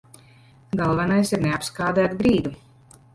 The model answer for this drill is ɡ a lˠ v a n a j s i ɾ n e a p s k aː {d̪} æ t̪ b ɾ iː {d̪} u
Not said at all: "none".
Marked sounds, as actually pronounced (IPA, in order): d̪, d̪

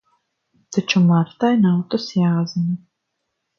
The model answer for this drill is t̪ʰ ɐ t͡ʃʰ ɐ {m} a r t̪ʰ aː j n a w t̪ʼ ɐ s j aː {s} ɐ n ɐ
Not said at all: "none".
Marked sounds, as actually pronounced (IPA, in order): m, z

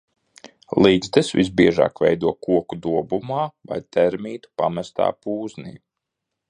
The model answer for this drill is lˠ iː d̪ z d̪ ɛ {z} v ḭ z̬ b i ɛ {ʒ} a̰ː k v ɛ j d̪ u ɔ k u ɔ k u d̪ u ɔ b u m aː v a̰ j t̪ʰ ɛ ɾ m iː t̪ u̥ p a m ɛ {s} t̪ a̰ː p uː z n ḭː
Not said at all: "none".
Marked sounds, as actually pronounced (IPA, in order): s, ʒ, s

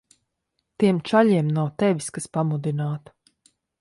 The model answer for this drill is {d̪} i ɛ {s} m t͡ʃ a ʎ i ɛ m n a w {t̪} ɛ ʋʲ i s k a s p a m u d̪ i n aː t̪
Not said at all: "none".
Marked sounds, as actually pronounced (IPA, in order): t̪, none, t̪

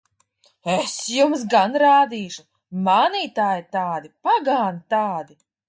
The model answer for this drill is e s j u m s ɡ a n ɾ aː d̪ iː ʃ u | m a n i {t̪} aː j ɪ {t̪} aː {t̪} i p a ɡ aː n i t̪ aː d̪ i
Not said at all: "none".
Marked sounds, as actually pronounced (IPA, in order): t̪, t̪, d̪

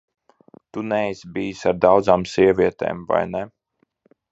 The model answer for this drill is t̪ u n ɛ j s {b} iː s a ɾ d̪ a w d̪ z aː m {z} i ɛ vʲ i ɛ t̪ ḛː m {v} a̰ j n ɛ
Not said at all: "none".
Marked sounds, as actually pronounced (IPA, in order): b, s, v

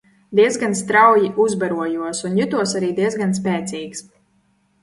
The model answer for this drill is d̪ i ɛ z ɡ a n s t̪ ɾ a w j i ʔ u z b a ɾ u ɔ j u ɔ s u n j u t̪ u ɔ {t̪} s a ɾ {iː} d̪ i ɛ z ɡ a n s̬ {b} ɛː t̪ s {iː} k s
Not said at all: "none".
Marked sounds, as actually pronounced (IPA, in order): none, iː, p, iː

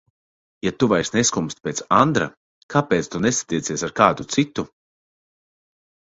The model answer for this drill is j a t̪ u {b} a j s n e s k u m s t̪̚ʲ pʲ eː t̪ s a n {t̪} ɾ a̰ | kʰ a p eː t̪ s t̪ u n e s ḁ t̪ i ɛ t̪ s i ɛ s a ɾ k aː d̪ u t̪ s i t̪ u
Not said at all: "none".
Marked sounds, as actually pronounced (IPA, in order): v, d̪

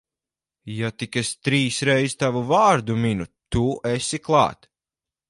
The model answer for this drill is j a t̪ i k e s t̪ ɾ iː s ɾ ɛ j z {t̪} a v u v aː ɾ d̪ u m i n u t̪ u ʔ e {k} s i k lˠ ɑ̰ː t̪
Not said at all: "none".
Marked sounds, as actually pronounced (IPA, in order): t̪, none

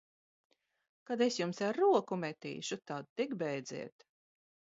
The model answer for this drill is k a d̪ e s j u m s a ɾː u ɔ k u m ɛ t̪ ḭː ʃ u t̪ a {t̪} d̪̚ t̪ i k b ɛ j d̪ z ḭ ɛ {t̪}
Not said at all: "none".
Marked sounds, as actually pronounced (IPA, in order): none, t̪

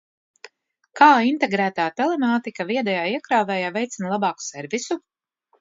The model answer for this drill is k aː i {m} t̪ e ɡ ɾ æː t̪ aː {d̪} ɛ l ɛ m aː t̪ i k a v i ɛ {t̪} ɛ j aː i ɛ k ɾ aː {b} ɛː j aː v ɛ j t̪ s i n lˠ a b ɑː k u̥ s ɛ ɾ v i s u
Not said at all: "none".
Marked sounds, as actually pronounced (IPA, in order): n, t̪, d̪, v

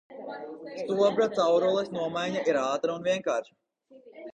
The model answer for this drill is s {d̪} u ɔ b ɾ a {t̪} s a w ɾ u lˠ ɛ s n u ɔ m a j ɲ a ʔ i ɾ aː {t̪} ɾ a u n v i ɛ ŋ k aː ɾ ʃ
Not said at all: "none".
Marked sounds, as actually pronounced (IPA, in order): t̪, t̪, t̪

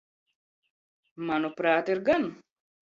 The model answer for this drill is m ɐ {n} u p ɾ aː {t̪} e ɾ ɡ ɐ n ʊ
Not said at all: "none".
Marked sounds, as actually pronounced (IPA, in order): n, t̪

